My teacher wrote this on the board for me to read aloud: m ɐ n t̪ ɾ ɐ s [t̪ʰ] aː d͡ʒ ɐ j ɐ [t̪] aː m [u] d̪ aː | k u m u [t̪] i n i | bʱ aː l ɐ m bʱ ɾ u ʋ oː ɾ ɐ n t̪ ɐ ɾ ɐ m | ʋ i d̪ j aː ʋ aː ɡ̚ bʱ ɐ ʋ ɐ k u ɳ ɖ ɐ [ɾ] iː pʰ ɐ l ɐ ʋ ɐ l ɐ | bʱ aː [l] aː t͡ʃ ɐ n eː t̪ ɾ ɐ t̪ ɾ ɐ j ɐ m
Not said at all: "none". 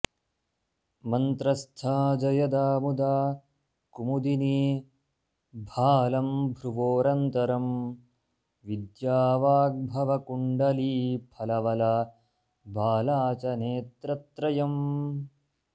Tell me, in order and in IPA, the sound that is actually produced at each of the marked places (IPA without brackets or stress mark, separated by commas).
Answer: t̪ʰ, d̪, u, d̪, l, l